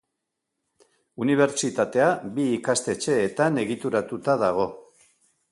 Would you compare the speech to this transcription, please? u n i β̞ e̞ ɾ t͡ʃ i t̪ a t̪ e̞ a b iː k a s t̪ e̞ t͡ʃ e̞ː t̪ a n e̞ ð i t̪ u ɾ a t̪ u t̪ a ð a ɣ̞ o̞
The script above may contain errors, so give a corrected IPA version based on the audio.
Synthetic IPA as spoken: u n i β̞ e̞ ɾ t͡ʃ i t̪ a t̪ e̞ a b iː k a s t̪ e̞ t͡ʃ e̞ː t̪ a n e̞ ɣ i t̪ u ɾ a t̪ u t̪ a ð a ɣ̞ o̞